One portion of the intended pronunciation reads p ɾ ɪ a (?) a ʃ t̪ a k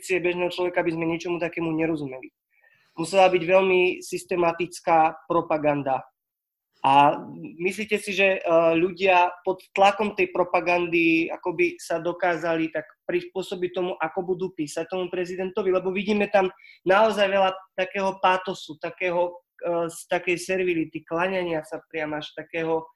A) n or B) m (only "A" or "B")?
B